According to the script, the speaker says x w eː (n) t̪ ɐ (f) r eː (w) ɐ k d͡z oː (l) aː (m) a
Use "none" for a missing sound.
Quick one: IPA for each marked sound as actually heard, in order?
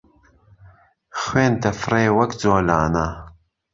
n, f, w, l, n

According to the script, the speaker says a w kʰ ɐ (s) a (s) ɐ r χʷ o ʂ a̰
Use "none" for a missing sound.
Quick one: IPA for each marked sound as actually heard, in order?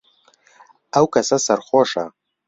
s, s

